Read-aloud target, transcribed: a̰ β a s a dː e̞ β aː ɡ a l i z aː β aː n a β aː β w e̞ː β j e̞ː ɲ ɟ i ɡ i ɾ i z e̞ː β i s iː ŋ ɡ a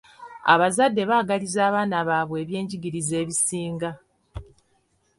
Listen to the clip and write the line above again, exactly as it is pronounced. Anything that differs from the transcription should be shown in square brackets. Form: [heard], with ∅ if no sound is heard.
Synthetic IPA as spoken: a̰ β a [z] a dː e̞ β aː ɡ a l i z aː β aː n a β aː β w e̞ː β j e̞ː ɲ ɟ i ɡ i ɾ i z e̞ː β i s iː ŋ ɡ a